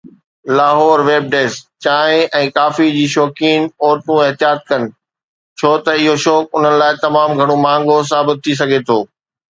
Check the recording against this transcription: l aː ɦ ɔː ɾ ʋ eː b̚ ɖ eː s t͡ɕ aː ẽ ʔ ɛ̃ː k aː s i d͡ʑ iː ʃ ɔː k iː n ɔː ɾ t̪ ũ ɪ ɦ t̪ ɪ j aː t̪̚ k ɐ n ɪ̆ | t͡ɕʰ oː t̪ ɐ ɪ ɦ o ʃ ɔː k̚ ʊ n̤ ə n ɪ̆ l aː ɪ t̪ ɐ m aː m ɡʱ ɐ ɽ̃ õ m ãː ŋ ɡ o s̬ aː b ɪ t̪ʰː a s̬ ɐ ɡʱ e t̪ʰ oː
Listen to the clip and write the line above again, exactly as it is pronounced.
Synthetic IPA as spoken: l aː ɦ ɔː ɾ ʋ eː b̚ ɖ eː s t͡ɕ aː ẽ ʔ ɛ̃ː k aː f i d͡ʑ iː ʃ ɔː k iː n ɔː ɾ t̪ ũ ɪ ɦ t̪ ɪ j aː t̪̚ k ɐ n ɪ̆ | t͡ɕʰ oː t̪ ɐ ɪ ɦ o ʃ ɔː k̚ ʊ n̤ ə n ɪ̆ l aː ɪ t̪ ɐ m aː m ɡʱ ɐ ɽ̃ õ m ãː ŋ ɡ o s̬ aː b ɪ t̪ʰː i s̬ ɐ ɡʱ e t̪ʰ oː